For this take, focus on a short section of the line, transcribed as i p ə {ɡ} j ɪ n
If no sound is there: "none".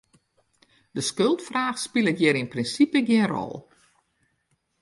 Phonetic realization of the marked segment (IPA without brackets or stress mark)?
ɡ